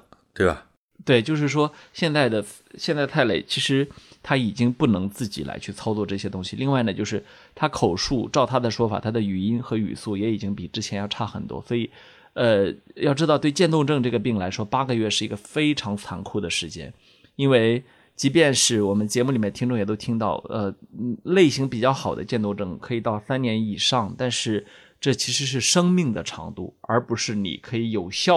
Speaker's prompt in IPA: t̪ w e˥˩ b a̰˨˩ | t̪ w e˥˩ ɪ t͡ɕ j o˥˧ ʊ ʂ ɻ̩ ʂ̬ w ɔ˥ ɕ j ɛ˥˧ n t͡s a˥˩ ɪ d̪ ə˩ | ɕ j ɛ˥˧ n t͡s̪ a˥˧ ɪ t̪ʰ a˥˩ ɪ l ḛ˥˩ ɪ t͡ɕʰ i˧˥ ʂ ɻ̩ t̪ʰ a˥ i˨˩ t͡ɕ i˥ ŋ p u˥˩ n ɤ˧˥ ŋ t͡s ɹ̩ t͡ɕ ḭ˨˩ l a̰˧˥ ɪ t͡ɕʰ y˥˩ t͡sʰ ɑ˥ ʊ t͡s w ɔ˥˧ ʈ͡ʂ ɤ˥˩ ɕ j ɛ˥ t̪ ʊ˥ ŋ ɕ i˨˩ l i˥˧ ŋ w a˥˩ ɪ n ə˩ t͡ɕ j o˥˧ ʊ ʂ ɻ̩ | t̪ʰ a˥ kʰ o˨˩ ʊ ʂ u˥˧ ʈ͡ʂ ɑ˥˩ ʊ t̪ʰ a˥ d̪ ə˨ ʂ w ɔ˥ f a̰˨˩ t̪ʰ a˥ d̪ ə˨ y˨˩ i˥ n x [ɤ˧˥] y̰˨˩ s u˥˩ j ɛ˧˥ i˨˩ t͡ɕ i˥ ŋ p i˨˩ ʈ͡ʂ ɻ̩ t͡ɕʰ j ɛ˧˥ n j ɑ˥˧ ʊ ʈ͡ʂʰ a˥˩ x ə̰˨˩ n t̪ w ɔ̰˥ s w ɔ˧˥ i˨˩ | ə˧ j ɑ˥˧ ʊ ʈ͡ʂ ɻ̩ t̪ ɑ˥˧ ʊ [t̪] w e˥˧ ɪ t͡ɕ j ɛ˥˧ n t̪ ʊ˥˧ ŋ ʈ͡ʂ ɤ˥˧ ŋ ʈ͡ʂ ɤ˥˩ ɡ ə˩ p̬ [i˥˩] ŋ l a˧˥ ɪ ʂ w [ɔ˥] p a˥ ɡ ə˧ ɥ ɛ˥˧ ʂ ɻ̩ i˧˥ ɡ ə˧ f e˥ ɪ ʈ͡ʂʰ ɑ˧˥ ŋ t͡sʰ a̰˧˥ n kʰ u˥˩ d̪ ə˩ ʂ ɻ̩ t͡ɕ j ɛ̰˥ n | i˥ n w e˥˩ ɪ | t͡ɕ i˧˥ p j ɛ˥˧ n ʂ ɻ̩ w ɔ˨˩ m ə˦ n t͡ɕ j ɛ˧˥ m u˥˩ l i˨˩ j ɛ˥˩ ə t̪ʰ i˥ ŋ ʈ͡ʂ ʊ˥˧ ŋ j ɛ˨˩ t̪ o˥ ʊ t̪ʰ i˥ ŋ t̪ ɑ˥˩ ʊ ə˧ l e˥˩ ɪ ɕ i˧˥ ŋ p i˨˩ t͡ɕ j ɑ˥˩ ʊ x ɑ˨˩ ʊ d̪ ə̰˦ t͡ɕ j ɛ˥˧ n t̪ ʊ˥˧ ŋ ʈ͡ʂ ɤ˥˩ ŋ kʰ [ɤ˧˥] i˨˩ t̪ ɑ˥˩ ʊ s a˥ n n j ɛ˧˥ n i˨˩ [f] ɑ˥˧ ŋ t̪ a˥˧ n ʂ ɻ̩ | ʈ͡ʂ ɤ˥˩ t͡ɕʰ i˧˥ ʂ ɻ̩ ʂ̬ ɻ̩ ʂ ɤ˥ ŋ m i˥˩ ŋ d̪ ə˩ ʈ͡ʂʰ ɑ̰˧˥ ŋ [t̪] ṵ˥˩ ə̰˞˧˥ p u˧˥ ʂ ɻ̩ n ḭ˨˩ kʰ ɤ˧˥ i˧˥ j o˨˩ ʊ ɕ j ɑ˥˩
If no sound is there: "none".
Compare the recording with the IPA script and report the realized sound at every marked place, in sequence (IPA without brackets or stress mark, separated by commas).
ɤ˧˥, t̪, i˥˩, ɔ˥, ɤ˧˥, ʂ, t̪